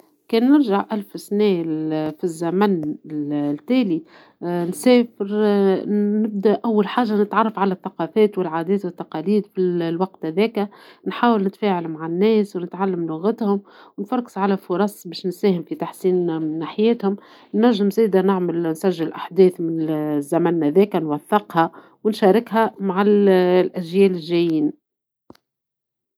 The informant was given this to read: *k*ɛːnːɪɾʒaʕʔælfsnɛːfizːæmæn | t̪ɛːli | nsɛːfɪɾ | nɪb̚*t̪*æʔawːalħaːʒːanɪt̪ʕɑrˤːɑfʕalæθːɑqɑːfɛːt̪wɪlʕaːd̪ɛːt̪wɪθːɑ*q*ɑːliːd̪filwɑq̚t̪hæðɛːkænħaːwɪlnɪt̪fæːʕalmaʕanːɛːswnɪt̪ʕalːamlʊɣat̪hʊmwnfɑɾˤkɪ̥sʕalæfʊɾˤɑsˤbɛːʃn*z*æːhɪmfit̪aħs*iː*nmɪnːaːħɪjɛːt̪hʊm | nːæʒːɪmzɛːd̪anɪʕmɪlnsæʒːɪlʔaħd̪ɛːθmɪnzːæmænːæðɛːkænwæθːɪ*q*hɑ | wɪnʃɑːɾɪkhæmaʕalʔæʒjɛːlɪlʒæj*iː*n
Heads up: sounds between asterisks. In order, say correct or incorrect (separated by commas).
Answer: correct, incorrect, correct, incorrect, correct, correct, correct